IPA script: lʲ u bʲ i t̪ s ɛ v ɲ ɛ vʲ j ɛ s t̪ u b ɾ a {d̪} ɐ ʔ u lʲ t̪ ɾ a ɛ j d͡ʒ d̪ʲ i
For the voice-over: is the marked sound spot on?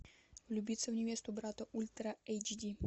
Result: no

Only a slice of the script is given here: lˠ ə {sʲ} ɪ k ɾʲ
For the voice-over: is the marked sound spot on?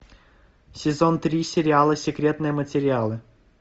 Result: yes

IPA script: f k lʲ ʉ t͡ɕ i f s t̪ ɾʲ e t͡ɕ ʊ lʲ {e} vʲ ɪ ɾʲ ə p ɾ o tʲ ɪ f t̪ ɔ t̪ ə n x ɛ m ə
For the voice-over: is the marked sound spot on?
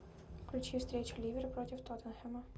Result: no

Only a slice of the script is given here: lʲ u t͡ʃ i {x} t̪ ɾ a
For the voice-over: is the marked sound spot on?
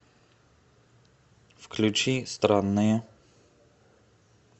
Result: no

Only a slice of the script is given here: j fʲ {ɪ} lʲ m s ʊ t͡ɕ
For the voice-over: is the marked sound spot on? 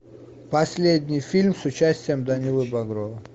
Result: no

